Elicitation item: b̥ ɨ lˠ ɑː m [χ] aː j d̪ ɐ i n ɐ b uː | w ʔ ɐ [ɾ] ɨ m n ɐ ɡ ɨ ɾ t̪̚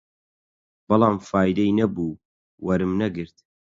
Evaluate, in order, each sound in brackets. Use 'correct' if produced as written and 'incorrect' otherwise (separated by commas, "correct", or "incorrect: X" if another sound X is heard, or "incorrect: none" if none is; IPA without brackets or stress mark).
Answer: incorrect: f, correct